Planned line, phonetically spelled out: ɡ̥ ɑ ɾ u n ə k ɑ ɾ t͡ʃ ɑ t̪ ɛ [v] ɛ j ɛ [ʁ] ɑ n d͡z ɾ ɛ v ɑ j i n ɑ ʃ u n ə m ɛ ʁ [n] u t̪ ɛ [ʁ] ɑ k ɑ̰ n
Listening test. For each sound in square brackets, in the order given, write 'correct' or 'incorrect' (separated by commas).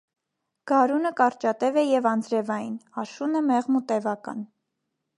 correct, incorrect, incorrect, incorrect